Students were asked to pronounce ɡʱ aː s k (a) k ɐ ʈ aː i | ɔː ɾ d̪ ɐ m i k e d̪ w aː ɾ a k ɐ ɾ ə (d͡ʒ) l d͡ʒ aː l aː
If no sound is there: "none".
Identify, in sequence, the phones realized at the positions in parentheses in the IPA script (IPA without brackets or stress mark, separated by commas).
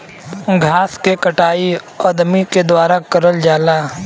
e, none